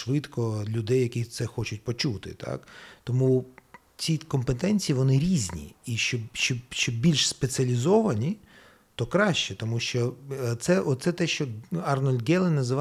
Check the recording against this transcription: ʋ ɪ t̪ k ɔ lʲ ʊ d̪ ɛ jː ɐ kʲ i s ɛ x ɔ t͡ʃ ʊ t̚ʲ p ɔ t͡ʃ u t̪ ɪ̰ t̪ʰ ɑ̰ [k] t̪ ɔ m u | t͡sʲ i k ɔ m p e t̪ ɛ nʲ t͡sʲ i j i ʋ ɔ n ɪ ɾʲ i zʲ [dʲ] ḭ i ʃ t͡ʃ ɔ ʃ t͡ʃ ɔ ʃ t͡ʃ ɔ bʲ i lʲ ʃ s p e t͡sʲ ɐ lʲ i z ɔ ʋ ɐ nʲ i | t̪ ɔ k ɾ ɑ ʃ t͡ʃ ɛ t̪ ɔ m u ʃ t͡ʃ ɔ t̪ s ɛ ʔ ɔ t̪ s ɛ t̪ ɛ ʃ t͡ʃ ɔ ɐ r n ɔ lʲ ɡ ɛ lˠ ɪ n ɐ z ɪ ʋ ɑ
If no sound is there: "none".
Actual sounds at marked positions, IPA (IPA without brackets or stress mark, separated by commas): k, nʲ